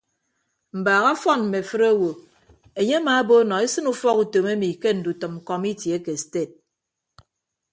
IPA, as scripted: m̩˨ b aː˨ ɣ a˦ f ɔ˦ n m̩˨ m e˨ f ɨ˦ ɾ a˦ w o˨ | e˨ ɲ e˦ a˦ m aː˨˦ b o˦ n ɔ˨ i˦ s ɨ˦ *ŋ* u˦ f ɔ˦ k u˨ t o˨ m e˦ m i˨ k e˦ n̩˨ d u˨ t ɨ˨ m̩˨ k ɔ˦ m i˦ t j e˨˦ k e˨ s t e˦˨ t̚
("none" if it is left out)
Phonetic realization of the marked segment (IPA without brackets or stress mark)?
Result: n